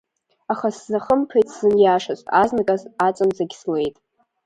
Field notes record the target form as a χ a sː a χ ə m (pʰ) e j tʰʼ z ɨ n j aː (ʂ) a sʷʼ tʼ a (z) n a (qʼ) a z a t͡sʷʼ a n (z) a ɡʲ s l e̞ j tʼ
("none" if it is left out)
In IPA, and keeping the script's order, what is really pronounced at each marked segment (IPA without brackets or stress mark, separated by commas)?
pʰ, ʂ, z, kʼ, z